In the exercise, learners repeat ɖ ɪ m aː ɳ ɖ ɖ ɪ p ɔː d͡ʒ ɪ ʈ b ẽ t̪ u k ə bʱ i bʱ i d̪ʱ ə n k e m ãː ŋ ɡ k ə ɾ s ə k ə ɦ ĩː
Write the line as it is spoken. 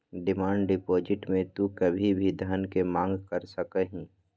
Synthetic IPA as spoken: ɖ ɪ m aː ɳ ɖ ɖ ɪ p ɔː d͡ʒ ɪ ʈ m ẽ t̪ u k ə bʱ i bʱ i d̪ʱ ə n k e m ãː ŋ ɡ k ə ɾ s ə k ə ɦ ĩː